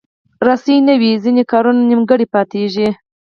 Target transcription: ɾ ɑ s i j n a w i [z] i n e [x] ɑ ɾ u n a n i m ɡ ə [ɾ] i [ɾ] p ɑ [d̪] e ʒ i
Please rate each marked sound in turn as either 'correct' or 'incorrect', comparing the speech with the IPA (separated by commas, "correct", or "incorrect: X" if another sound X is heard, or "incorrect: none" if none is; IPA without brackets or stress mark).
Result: correct, incorrect: k, incorrect: ɽ, incorrect: none, incorrect: t̪